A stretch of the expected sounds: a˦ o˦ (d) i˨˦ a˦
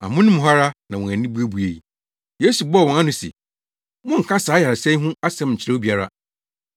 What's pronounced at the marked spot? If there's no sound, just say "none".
b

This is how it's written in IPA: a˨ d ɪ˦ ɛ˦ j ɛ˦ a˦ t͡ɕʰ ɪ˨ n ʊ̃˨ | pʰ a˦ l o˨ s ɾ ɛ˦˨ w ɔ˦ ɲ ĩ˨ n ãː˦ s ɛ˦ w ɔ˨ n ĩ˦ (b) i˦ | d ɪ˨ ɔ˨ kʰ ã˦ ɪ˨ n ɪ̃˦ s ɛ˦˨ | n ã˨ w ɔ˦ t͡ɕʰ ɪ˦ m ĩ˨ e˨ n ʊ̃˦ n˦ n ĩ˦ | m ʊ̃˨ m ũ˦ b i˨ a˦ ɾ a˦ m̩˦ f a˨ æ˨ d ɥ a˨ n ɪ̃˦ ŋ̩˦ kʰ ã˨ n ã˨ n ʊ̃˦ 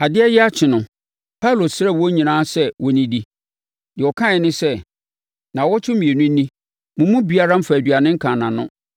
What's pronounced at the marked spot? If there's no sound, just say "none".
d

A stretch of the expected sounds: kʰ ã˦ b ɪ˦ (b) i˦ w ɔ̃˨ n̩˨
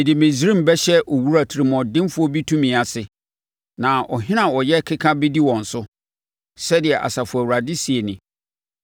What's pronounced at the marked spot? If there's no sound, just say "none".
d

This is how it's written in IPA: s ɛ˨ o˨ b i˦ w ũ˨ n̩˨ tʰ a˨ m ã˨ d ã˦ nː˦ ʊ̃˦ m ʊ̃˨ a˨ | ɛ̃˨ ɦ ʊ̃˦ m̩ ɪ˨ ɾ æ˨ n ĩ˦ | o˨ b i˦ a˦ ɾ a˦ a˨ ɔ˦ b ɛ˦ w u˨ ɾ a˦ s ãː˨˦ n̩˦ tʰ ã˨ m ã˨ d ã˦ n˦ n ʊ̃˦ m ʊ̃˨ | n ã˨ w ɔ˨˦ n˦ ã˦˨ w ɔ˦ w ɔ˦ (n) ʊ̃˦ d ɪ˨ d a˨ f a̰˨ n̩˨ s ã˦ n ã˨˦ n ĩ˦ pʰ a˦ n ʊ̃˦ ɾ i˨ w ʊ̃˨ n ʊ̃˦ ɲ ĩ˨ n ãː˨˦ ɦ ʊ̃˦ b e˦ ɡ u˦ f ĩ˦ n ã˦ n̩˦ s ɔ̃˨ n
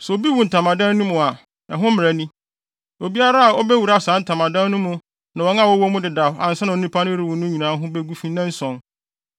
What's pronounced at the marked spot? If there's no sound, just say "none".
m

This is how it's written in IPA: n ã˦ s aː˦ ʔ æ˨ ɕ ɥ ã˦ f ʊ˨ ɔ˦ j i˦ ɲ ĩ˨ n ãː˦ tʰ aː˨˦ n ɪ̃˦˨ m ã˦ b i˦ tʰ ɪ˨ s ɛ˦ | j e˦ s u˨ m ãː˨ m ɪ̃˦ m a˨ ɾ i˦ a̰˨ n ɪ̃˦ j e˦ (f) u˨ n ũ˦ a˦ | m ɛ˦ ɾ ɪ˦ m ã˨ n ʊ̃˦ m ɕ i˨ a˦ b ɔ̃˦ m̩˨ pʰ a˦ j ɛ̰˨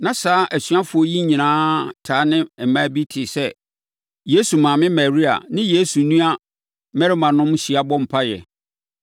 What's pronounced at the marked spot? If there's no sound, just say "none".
s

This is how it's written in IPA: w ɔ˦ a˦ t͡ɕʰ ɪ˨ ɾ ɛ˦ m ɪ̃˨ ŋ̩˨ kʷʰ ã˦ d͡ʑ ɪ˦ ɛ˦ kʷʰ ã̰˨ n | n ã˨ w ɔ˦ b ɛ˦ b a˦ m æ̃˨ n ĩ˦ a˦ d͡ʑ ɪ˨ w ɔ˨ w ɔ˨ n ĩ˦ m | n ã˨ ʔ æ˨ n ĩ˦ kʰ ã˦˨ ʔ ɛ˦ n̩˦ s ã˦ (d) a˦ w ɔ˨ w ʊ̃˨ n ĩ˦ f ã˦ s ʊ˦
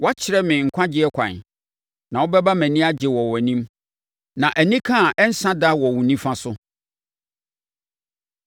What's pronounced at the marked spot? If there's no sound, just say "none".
d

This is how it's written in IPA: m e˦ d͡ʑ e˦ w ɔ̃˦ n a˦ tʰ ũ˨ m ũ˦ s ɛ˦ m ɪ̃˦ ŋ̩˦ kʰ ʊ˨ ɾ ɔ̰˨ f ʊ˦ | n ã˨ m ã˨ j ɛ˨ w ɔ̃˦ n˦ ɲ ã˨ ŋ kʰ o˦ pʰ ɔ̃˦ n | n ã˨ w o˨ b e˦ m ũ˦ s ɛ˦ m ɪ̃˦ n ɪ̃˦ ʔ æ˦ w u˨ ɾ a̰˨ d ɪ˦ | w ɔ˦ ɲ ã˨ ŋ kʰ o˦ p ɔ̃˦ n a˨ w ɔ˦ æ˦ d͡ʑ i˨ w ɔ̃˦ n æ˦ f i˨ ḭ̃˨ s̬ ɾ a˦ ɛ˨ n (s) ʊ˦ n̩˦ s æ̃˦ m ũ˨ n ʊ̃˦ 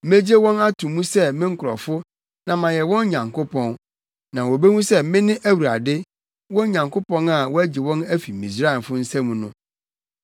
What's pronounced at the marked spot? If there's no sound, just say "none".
f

